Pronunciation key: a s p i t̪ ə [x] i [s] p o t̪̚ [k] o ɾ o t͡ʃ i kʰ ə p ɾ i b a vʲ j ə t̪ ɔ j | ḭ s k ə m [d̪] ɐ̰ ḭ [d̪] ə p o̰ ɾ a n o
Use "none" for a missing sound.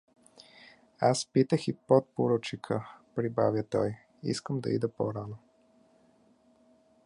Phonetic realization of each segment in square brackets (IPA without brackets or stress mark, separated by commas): x, none, p, d̪, d̪